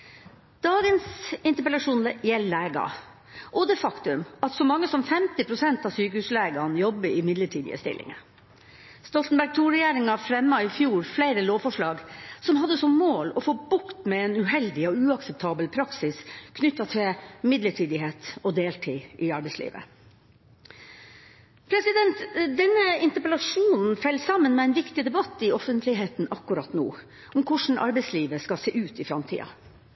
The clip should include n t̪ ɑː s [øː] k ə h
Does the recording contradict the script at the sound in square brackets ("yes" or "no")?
yes